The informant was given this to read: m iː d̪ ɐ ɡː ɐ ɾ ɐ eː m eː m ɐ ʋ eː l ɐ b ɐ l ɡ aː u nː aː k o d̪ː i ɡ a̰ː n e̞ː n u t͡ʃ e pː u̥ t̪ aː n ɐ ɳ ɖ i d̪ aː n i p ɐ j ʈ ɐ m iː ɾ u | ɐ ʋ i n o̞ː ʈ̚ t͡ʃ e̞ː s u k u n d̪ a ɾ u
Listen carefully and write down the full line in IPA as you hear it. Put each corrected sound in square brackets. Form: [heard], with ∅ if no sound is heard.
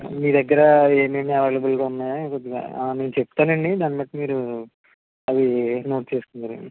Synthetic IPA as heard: m iː d̪ ɐ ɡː ɐ ɾ ɐ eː m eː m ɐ ʋ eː l ɐ b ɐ l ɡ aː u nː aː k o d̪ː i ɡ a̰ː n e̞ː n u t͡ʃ e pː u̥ t̪ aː n ɐ ɳ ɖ i d̪ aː n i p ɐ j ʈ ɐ m iː ɾ u | ɐ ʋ i n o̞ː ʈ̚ t͡ʃ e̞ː s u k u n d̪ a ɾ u